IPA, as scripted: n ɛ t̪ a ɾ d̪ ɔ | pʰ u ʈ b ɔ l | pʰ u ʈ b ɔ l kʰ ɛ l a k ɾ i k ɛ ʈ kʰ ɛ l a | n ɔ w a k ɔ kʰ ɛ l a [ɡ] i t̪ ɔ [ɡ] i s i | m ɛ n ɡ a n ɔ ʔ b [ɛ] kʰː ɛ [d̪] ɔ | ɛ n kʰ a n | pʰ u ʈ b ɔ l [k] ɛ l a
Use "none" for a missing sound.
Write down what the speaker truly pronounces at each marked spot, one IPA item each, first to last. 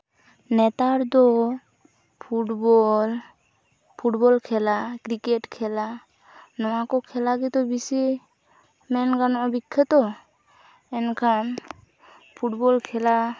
ɡ, b, i, t̪, kʰ

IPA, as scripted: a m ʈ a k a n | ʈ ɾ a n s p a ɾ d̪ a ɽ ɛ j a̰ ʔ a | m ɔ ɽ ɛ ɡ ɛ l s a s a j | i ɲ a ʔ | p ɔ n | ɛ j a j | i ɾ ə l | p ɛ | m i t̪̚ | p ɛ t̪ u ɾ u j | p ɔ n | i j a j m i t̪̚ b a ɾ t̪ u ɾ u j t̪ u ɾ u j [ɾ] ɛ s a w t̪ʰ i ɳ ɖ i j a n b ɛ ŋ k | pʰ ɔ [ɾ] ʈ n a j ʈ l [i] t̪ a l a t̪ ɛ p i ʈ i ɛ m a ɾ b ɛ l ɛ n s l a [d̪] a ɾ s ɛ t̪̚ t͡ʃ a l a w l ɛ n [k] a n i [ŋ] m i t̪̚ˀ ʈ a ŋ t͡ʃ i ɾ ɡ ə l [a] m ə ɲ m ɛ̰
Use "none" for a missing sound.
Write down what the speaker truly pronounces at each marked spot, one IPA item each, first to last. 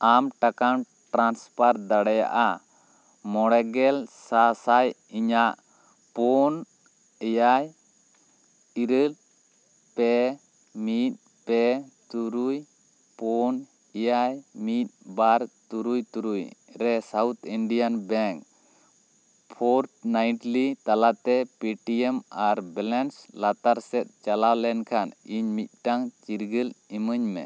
ɾ, ɾ, i, t̪, kʰ, ɲ, i

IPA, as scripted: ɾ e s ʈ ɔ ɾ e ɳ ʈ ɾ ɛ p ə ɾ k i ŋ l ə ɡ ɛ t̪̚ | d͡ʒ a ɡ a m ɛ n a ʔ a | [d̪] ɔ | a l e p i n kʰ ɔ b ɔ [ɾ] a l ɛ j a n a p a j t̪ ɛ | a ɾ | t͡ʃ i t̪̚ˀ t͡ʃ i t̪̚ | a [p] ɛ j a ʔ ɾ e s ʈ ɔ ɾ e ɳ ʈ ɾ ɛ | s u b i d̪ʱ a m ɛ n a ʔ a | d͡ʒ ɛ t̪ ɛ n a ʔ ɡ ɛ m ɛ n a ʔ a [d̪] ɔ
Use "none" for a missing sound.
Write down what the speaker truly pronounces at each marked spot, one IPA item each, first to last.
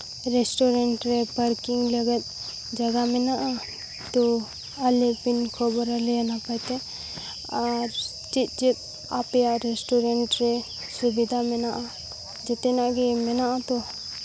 t̪, ɾ, p, t̪

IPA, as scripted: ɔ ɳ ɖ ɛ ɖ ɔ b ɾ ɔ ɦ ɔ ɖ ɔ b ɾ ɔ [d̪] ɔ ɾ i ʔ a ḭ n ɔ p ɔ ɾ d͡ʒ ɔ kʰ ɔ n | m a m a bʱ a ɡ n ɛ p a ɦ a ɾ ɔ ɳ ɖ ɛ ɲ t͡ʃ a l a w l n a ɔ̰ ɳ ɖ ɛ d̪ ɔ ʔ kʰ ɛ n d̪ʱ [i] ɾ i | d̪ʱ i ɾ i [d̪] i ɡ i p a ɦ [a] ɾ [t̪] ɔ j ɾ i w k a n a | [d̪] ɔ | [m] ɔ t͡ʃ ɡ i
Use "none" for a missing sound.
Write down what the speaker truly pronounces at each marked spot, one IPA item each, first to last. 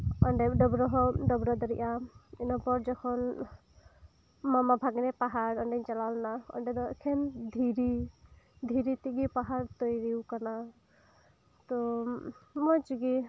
d̪, i, t̪, a, t̪, t̪, m

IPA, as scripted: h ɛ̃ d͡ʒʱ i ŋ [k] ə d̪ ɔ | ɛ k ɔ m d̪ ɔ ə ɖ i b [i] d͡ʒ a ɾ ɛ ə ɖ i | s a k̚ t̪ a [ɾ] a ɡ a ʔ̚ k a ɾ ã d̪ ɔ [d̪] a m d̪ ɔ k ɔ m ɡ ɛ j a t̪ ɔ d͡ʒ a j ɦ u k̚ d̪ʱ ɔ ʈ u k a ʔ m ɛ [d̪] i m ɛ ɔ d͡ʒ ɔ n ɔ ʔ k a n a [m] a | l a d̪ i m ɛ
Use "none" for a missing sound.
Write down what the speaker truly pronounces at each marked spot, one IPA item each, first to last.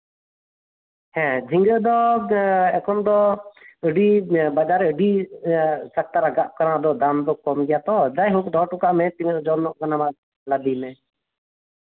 ɡ, a, ɾ, d̪, t̪, m

